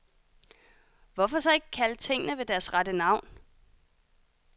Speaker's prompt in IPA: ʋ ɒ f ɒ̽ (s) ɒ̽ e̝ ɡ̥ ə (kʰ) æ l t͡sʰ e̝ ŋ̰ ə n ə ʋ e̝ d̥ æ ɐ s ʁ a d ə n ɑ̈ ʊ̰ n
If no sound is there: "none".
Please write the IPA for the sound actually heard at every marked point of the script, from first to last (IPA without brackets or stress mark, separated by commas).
s, kʰ